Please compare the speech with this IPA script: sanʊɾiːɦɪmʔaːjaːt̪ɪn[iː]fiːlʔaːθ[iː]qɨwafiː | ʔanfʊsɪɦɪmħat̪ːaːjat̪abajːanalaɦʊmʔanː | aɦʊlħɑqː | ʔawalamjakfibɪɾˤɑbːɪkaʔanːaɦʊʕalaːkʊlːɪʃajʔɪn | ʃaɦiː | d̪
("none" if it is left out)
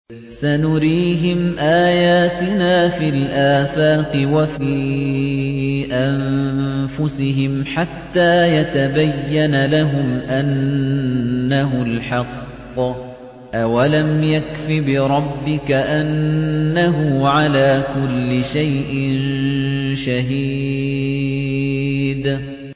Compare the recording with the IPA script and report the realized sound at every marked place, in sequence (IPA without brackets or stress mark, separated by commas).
aː, aː